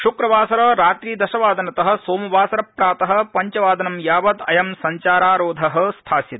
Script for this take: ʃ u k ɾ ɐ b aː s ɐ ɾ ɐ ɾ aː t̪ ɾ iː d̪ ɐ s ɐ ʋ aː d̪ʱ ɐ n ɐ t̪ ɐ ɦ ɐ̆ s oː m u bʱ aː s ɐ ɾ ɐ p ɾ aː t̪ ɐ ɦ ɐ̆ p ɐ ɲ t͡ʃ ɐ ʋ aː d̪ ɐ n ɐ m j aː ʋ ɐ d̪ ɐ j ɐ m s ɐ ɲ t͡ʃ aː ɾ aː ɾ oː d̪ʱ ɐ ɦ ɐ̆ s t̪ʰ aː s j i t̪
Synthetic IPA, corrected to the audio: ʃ u k ɾ ɐ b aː s ɐ ɾ ɐ ɾ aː t̪ ɾ iː d̪ ɐ ʃ ɐ ʋ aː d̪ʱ ɐ n ɐ t̪ ɐ ɦ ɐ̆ s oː m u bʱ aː s ɐ ɾ ɐ p ɾ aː t̪ ɐ ɦ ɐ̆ p ɐ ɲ t͡ʃ ɐ ʋ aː d̪ ɐ n ɐ m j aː ʋ ɐ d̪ ɐ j ɐ m s ɐ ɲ t͡ʃ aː ɾ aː ɾ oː d̪ʱ ɐ ɦ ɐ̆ s t̪ʰ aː s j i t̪